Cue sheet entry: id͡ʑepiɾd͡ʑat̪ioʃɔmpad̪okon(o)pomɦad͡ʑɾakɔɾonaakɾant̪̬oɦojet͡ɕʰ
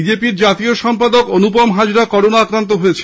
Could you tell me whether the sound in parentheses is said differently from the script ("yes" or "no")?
yes